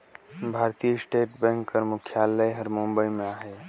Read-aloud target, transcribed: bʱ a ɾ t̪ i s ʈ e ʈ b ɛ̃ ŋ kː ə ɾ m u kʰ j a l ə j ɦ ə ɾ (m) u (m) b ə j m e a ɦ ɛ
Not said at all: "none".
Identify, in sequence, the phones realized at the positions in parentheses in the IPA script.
m, m

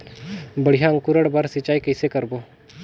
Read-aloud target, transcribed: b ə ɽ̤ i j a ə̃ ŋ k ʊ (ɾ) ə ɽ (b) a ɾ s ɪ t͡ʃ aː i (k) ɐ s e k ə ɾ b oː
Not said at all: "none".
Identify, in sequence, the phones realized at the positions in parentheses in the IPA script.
ɾ, b, k

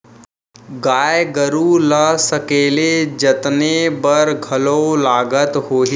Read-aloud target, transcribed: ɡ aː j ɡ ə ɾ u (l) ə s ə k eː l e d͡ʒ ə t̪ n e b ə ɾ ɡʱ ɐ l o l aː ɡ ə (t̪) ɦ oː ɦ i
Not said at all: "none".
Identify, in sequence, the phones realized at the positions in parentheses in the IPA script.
l, t̪

